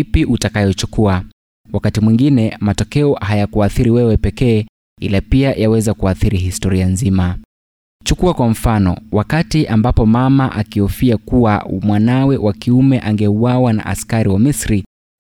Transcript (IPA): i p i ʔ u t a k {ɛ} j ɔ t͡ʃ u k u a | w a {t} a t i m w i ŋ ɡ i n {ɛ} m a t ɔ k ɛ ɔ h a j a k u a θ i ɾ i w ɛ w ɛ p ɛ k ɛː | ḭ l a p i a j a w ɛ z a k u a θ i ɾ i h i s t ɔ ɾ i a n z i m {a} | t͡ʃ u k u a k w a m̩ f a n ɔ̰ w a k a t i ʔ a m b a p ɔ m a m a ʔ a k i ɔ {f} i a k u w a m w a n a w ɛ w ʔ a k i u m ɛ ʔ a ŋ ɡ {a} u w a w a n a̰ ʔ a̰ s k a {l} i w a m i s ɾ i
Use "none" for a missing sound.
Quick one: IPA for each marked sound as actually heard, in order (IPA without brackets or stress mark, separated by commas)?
a, k, ɛ, a, f, ɛ, ɾ